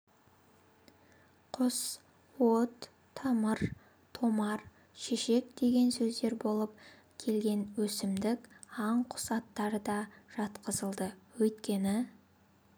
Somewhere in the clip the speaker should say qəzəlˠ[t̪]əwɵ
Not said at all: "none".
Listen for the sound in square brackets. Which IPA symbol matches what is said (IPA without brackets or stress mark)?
d̪